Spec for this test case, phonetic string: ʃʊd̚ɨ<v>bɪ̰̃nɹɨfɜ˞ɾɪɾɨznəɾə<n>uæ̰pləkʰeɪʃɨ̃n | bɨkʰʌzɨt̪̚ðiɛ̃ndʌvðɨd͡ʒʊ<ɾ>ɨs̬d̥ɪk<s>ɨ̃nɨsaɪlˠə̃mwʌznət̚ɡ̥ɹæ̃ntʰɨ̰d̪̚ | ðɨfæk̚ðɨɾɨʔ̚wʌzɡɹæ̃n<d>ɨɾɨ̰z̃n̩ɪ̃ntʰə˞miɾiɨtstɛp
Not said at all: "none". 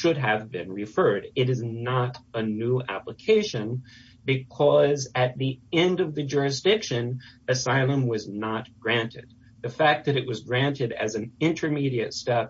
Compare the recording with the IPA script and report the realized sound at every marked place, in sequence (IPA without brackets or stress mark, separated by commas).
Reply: v, n, ɹ, ʃ, t